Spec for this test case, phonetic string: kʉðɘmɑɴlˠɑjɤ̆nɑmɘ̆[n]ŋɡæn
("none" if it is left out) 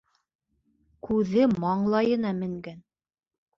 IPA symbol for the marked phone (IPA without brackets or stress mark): none